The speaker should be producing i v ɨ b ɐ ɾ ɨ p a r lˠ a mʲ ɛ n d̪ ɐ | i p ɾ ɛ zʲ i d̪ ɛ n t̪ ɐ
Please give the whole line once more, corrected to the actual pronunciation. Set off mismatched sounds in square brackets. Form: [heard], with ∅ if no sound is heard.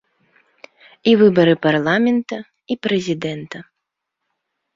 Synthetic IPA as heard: i v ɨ b ɐ ɾ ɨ p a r lˠ a mʲ ɛ n [t̪] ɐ | i p ɾ ɛ zʲ i d̪ ɛ n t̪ ɐ

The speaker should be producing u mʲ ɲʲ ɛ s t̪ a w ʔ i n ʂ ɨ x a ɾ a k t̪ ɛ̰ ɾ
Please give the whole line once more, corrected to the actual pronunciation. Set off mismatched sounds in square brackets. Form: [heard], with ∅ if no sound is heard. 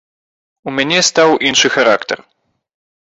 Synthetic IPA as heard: u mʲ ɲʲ ɛ s t̪ a w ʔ i n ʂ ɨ x a ɾ a k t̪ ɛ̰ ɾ

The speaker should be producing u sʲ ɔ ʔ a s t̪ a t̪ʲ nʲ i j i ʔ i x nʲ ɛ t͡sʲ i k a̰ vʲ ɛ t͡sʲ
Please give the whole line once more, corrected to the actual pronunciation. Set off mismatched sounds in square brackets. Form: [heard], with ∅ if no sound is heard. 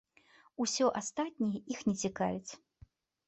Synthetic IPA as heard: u sʲ ɔ ʔ a s t̪ a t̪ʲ nʲ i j [ɛ] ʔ i x nʲ ɛ t͡sʲ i k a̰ vʲ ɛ t͡sʲ

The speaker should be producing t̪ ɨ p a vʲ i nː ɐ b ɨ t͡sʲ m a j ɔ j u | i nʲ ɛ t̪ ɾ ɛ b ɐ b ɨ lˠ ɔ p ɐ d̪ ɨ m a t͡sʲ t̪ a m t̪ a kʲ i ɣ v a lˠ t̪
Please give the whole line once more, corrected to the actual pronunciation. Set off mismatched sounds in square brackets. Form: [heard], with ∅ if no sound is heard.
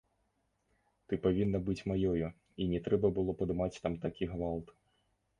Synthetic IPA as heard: t̪ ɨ p a vʲ i nː ɐ b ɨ t͡sʲ m a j ɔ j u | i nʲ ɛ t̪ ɾ ɛ b ɐ b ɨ lˠ ɔ p ɐ d̪ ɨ m a t͡sʲ t̪ a m t̪ a kʲ i ɣ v a lˠ t̪

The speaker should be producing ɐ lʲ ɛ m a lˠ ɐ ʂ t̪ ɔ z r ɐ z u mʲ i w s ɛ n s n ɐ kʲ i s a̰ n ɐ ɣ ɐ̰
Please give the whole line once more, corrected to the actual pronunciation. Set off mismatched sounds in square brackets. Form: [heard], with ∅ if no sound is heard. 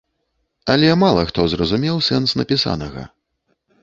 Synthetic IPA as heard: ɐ lʲ ɛ m a lˠ ɐ [x] t̪ ɔ z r ɐ z u mʲ [ɛ] w s ɛ n s n ɐ [pʲ] i s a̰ n ɐ ɣ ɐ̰

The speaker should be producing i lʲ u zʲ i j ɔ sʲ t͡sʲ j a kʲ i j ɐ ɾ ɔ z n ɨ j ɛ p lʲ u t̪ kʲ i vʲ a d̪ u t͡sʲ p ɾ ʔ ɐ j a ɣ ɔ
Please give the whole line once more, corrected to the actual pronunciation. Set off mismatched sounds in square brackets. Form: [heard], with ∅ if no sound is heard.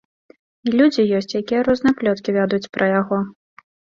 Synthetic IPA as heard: i lʲ u [d͡zʲ] i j ɔ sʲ t͡sʲ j a kʲ i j ɐ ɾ ɔ z n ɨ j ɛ p lʲ [ɔ] t̪ kʲ i vʲ a d̪ u t͡sʲ p ɾ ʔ ɐ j a ɣ ɔ

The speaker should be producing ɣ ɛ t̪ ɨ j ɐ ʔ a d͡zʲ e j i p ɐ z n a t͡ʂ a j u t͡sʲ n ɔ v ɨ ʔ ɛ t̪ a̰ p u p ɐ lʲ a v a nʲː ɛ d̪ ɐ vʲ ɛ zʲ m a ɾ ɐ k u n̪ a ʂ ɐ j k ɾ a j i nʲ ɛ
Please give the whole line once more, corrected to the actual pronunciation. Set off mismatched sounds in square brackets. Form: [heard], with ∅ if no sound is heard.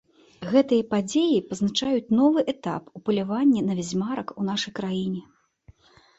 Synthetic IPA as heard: ɣ ɛ t̪ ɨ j ɐ [p] a d͡zʲ e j i p ɐ z n a t͡ʂ a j u t͡sʲ n ɔ v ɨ ʔ ɛ t̪ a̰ p u p ɐ lʲ a v a nʲː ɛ [n̪] ɐ vʲ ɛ zʲ m a ɾ ɐ k u n̪ a ʂ ɐ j k ɾ a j i nʲ ɛ

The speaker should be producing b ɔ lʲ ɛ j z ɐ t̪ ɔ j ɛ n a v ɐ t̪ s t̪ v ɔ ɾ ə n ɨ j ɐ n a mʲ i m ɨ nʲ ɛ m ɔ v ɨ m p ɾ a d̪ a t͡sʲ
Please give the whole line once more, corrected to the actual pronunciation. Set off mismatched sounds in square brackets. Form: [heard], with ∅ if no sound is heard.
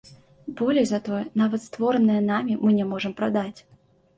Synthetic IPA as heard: b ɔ lʲ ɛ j z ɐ t̪ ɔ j ɛ n a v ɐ t̪ s t̪ v ɔ ɾ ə n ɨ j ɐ n a mʲ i m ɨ nʲ ɛ m ɔ [ʐ] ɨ m p ɾ a d̪ a t͡sʲ

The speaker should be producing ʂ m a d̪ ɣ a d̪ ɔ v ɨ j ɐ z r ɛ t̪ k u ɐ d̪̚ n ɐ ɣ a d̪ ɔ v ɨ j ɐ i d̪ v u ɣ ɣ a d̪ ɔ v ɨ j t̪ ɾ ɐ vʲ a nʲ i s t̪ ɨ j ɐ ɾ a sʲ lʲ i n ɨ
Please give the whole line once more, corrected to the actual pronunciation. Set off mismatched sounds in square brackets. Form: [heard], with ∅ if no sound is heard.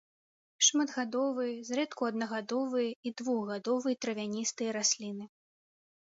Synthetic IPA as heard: ʂ m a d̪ ɣ a d̪ ɔ v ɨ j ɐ z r ɛ t̪ k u ɐ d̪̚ n ɐ ɣ a d̪ ɔ v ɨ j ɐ i d̪ v u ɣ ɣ a d̪ ɔ v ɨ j t̪ ɾ ɐ vʲ a nʲ i s t̪ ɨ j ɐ ɾ a sʲ lʲ i n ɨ

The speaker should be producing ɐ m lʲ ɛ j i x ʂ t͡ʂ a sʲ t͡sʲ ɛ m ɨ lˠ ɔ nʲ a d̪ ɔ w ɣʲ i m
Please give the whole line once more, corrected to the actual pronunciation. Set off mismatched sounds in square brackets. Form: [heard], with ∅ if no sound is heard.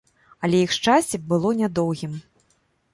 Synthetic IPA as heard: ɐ [∅] lʲ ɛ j i x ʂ t͡ʂ a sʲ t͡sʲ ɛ [b] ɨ lˠ ɔ nʲ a d̪ ɔ w ɣʲ i m

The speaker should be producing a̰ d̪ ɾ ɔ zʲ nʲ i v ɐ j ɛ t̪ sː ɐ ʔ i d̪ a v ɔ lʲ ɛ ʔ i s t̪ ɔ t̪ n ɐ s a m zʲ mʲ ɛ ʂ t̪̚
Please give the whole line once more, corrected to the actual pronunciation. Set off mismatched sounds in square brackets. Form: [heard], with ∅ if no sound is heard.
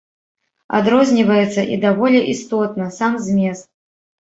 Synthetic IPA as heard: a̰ d̪ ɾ ɔ zʲ nʲ i v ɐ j ɛ t̪ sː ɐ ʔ i d̪ a v ɔ lʲ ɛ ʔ i s t̪ ɔ t̪ n ɐ s a m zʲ mʲ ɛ [s] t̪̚

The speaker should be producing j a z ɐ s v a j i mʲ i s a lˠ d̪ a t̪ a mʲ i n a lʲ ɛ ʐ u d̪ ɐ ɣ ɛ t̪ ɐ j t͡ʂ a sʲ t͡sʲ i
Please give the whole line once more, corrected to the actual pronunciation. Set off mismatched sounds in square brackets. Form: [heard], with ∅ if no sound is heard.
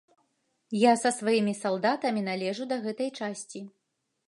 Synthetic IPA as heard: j a [s] ɐ s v a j i mʲ i s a lˠ d̪ a t̪ [ɐ] mʲ i n a lʲ ɛ ʐ u d̪ ɐ ɣ ɛ t̪ ɐ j t͡ʂ a sʲ t͡sʲ i

